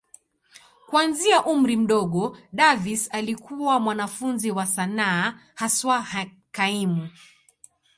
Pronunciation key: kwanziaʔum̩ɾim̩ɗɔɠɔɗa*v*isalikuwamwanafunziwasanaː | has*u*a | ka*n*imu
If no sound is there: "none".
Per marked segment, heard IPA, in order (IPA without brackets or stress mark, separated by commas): v, w, none